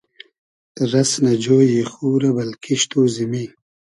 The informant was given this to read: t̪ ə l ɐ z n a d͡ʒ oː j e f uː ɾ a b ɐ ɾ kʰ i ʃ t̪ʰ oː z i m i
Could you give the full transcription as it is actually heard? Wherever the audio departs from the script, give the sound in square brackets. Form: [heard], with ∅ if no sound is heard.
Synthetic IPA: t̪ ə [ɾ] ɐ [s] n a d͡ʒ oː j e [x] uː ɾ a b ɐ [l] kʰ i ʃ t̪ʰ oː z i m i